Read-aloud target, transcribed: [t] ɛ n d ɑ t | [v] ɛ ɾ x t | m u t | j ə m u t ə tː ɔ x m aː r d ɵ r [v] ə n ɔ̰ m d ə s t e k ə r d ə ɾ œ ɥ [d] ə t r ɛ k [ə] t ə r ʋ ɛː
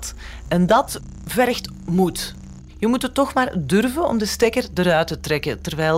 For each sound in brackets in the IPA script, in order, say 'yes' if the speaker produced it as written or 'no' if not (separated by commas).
yes, yes, yes, no, yes